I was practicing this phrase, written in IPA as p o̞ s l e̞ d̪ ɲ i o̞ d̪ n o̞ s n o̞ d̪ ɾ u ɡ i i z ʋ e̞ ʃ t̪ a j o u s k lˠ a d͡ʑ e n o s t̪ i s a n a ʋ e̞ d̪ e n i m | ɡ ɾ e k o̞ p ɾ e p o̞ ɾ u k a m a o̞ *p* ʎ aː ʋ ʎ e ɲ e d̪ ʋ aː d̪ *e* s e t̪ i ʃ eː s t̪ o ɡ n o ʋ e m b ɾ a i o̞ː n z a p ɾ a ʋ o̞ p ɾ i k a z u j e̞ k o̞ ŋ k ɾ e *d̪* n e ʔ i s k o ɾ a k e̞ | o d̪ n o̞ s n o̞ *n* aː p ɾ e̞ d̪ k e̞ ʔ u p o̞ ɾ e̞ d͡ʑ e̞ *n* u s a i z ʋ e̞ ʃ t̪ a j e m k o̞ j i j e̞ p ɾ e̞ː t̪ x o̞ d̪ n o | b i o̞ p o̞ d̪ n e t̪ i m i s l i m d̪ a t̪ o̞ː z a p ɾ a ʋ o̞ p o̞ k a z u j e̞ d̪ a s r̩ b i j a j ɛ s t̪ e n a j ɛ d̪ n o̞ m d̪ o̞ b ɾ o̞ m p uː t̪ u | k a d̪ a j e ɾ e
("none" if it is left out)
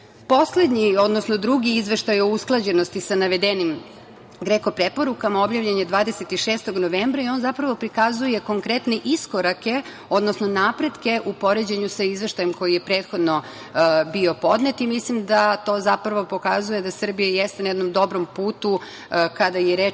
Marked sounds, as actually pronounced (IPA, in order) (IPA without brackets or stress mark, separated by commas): b, e, t̪, n, ɲ